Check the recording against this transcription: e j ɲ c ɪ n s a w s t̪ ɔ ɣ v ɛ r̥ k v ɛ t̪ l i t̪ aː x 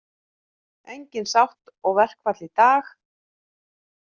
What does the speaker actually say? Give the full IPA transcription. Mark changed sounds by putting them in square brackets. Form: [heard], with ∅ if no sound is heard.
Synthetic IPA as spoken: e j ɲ c ɪ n s a w [h] t̪ ɔ ɣ v ɛ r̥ k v [a] t̪ l i t̪ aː x